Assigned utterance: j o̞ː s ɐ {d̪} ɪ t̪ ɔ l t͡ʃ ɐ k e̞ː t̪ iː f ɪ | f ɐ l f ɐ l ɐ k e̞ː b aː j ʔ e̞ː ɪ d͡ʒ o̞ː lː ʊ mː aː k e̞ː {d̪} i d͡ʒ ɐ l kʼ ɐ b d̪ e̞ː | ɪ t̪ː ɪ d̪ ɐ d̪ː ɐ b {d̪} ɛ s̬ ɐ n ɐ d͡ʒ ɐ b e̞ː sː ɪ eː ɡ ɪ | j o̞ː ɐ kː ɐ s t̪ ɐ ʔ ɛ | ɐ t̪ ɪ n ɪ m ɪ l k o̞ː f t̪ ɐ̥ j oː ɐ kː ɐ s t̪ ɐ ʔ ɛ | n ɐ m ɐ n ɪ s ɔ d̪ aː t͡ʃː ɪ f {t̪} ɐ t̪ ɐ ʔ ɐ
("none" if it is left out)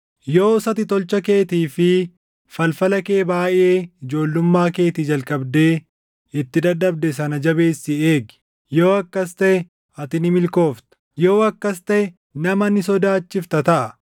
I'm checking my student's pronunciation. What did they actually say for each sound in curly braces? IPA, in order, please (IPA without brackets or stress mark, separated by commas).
t̪, t̪, d̪, t̪